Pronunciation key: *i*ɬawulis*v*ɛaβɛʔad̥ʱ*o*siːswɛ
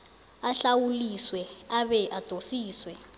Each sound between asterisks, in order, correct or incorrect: incorrect, incorrect, correct

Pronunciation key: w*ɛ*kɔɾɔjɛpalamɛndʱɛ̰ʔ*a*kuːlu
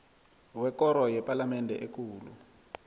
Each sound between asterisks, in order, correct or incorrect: correct, incorrect

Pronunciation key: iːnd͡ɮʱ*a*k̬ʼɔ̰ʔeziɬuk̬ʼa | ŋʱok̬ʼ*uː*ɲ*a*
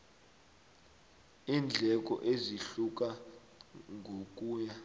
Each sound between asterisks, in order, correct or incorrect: incorrect, correct, correct

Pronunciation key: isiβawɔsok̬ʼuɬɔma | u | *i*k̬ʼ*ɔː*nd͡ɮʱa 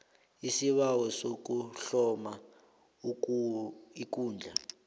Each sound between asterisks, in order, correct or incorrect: correct, incorrect

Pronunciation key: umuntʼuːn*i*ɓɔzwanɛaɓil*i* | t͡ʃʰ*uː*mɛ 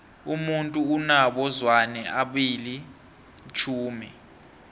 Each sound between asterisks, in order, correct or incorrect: incorrect, correct, correct

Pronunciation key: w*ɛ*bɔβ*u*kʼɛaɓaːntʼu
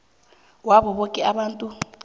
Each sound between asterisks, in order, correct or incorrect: incorrect, incorrect

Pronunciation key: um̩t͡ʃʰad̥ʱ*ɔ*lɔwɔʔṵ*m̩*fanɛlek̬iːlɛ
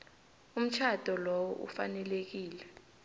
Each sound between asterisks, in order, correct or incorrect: correct, incorrect

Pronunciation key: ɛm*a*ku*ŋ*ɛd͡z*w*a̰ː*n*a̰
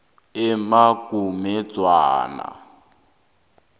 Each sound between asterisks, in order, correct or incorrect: correct, incorrect, correct, correct

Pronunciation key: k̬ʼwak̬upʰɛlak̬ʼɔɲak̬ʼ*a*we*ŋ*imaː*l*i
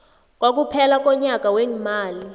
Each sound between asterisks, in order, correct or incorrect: correct, correct, correct

